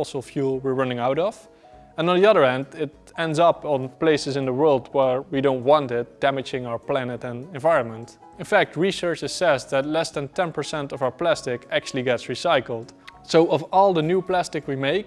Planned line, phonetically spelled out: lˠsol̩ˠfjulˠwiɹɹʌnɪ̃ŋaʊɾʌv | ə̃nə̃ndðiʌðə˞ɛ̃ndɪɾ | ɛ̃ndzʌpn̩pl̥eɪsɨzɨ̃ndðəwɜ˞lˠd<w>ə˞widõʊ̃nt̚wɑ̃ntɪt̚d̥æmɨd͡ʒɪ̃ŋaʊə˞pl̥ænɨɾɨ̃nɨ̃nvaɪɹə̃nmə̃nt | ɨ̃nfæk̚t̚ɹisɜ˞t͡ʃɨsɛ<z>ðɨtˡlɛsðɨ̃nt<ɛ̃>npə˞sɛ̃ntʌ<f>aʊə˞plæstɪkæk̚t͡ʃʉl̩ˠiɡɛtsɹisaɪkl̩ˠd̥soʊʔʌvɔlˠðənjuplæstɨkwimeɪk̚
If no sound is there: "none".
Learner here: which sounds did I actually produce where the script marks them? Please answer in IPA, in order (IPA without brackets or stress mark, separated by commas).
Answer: w, s, ɛ̃, v